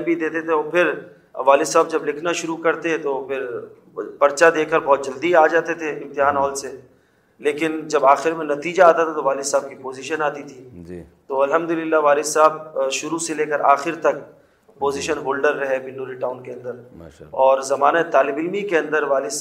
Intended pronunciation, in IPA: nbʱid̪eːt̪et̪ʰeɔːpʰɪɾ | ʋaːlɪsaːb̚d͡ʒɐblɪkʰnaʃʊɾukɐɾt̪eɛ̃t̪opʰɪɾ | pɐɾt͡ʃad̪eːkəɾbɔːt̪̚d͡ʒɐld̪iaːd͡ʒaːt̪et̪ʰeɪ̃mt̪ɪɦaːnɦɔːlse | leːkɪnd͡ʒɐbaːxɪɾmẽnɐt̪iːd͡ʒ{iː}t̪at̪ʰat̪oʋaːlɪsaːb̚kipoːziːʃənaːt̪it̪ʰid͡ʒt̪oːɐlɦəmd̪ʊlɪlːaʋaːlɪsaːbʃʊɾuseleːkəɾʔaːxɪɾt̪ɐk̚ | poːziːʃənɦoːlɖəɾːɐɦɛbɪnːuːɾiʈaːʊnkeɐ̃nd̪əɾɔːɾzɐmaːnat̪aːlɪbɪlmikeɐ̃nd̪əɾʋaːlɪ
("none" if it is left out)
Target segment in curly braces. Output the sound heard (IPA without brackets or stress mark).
aː